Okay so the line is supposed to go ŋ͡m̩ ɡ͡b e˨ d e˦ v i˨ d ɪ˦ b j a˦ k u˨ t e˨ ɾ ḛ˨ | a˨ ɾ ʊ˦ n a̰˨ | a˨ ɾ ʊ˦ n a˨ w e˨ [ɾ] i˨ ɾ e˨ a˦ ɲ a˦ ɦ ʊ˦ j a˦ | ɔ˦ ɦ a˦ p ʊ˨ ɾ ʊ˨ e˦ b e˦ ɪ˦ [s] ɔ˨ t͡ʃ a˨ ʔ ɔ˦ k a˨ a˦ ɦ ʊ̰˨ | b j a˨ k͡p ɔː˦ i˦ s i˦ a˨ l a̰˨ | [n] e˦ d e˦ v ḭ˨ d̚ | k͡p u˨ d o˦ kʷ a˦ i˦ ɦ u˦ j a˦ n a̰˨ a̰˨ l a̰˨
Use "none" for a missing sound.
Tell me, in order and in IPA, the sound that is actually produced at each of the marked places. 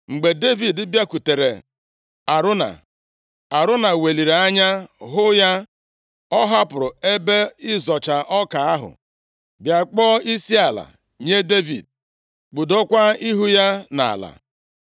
l, z, ɲ

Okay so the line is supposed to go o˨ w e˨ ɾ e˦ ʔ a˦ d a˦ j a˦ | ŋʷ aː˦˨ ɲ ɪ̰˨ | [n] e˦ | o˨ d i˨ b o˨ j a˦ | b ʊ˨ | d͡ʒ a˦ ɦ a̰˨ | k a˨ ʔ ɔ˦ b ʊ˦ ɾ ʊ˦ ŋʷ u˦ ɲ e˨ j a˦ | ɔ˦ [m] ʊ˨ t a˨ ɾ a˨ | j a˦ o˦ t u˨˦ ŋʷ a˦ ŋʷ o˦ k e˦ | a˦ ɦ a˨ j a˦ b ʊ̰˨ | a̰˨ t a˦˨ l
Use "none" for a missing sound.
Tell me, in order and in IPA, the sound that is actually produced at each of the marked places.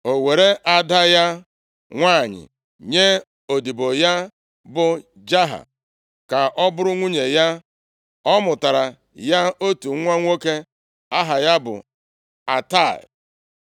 ɲ, m

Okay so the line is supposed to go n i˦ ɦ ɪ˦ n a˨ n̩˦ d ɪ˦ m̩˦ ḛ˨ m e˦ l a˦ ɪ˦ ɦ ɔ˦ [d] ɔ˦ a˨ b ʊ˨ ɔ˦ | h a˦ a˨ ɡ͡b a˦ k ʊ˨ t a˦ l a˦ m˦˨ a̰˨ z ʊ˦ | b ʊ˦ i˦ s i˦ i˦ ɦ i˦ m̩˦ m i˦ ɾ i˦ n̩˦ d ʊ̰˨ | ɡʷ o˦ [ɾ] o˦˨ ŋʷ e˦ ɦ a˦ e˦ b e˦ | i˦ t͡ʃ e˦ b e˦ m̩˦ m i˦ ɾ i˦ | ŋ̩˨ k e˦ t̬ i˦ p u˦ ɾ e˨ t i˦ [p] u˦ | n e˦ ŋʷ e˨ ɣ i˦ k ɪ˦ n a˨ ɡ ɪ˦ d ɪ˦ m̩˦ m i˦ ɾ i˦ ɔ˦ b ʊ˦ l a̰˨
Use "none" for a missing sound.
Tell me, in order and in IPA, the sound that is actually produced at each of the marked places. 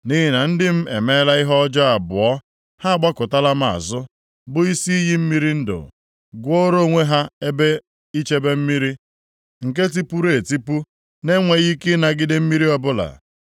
d͡ʒ, ɾ, p

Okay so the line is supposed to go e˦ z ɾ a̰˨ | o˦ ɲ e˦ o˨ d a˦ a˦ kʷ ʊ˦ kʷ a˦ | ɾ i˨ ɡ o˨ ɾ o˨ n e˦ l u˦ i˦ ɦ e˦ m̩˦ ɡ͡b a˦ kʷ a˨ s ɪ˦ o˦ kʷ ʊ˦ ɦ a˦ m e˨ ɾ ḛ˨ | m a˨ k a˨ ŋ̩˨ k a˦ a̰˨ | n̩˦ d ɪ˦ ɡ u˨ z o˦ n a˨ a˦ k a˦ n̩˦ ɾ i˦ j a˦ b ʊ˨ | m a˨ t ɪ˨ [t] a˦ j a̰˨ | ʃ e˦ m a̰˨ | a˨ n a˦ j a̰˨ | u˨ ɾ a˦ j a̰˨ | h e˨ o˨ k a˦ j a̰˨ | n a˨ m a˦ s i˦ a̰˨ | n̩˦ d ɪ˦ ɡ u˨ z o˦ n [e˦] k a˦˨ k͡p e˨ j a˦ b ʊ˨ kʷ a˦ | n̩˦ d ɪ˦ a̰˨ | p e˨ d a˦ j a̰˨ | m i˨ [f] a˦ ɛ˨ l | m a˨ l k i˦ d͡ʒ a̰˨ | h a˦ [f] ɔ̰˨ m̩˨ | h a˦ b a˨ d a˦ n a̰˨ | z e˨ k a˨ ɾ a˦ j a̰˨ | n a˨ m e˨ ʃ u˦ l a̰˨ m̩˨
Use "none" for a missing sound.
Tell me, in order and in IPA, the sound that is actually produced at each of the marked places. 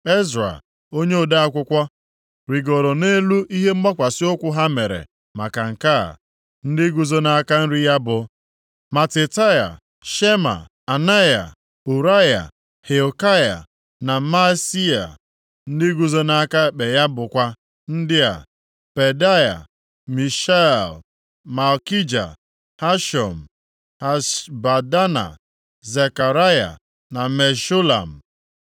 t, a˦, ʃ, ʃ

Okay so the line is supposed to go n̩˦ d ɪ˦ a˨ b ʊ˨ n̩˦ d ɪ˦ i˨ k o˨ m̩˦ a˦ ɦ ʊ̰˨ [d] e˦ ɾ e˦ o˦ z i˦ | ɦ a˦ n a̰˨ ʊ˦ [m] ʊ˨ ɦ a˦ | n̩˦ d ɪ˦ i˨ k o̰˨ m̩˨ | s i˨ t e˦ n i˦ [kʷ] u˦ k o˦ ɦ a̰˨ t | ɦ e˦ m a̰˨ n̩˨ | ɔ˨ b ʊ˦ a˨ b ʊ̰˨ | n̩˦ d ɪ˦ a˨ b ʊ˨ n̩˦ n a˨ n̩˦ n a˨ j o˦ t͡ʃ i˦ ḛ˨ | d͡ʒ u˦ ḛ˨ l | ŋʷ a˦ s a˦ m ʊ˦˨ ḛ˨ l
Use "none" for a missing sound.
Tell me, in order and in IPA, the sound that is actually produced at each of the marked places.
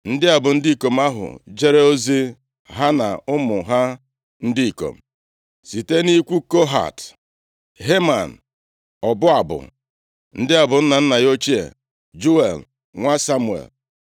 d͡ʒ, m, kʷ

